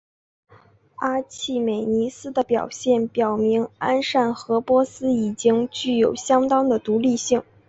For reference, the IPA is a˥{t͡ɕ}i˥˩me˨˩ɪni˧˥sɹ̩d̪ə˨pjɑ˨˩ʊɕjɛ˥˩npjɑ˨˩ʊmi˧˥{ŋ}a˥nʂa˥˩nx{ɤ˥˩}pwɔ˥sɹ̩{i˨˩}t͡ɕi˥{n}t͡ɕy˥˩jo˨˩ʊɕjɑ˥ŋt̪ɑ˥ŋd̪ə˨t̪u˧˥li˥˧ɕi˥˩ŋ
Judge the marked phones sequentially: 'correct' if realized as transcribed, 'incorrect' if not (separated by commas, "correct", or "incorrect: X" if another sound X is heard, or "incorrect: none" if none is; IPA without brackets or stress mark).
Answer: incorrect: t͡ɕʰ, correct, incorrect: ɤ˧˥, correct, incorrect: ŋ